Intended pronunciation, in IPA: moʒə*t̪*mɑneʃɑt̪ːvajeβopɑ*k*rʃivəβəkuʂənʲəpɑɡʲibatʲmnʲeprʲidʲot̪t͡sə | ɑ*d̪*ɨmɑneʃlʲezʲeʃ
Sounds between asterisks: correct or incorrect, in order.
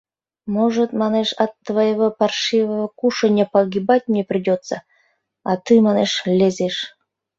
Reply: correct, incorrect: none, incorrect: t̪

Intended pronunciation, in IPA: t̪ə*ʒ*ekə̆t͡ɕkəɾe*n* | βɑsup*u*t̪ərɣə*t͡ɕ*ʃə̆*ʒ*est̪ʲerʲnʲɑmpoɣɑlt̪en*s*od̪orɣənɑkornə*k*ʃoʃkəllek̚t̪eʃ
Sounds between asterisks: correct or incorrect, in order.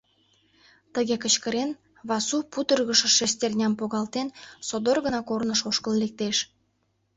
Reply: incorrect: ɣ, correct, correct, incorrect: none, incorrect: ʃ, correct, incorrect: none

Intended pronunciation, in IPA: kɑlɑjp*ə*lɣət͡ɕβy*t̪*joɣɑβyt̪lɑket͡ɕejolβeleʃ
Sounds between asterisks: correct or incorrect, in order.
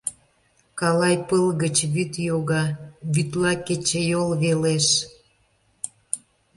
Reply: correct, correct

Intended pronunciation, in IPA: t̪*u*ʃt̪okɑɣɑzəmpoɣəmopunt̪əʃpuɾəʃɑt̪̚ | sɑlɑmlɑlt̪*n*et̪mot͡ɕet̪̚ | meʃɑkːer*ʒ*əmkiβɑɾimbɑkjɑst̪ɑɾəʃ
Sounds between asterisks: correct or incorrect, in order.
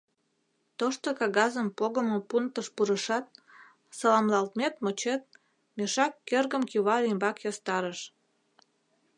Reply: incorrect: o, incorrect: m, incorrect: ɣ

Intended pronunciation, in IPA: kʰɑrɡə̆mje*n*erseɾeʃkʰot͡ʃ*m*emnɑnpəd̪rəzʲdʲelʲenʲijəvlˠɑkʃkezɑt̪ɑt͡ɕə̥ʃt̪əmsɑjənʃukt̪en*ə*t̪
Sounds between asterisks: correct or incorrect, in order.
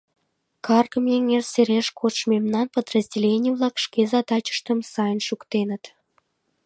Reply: incorrect: ŋ, correct, correct

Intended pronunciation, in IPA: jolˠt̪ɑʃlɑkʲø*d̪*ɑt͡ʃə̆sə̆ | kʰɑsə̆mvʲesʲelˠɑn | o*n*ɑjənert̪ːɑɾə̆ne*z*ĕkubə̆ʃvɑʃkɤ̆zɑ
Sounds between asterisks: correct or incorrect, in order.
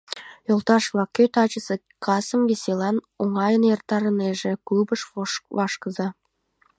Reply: incorrect: t̪, incorrect: ŋ, incorrect: ʒ

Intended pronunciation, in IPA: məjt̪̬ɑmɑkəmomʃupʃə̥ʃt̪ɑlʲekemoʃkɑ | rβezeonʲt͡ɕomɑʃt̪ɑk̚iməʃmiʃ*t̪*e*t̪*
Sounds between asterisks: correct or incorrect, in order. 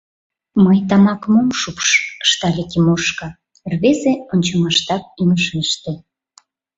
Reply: correct, incorrect: none

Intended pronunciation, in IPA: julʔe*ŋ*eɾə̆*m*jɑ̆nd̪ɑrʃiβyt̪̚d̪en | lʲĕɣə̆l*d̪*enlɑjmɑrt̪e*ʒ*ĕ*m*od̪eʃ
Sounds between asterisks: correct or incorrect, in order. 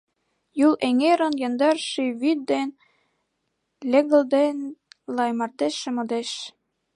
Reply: correct, incorrect: n, correct, incorrect: ʃ, correct

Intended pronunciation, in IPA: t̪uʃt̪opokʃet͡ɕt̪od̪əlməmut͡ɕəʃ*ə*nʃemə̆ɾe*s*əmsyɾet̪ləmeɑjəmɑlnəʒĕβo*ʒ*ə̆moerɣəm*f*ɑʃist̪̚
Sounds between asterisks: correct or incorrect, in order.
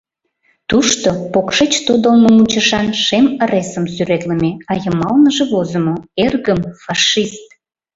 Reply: incorrect: ɑ, correct, incorrect: z, correct

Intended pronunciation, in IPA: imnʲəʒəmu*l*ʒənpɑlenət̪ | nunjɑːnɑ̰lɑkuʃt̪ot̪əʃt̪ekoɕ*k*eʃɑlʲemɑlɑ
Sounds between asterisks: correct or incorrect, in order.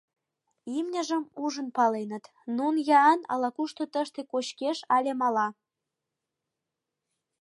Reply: incorrect: none, correct

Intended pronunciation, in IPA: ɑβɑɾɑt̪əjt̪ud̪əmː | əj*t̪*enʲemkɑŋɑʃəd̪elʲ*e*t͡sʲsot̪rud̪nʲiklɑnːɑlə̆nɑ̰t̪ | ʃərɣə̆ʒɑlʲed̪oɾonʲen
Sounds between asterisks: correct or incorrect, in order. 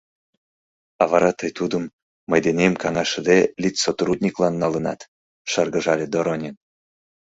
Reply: incorrect: d̪, incorrect: i

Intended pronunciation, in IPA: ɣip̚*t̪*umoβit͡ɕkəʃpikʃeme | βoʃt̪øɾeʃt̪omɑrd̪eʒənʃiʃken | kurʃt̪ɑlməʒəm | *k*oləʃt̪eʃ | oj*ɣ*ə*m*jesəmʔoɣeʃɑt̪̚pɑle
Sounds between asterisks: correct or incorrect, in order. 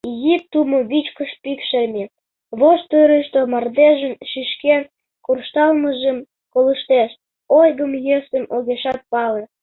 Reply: correct, correct, correct, correct

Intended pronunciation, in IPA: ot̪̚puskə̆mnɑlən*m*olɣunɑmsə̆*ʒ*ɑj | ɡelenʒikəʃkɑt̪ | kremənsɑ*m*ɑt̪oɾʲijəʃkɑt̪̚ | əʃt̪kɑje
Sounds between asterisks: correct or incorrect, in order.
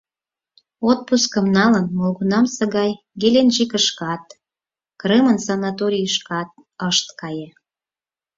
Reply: correct, incorrect: ɣ, incorrect: n

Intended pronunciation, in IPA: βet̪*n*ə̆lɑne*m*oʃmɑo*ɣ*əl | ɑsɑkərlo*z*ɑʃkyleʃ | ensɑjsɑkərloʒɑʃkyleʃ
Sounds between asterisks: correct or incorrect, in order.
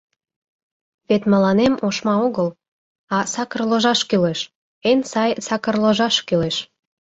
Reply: incorrect: m, correct, correct, incorrect: ʒ

